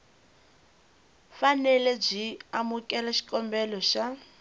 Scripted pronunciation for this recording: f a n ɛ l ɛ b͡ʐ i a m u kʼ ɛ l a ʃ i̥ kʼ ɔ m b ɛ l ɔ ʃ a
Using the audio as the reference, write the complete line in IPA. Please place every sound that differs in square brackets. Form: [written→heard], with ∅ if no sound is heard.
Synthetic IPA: f a n ɛ l ɛ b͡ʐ i a m u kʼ ɛ l a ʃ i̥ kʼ ɔ m b ɛ l ɔ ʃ a